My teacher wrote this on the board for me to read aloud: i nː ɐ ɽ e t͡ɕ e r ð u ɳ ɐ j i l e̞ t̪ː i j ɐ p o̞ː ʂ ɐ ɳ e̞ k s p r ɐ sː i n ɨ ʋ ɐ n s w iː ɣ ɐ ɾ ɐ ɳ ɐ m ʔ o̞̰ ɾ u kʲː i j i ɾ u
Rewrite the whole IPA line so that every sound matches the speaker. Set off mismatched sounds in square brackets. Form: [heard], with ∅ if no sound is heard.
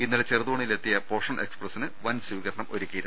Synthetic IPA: i nː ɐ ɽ e t͡ɕ e r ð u ɳ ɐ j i l e̞ t̪ː i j ɐ p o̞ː ʂ ɐ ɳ e̞ k s p r ɐ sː i n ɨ ʋ ɐ n s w iː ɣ ɐ ɾ ɐ ɳ ɐ m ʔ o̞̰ ɾ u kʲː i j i ɾ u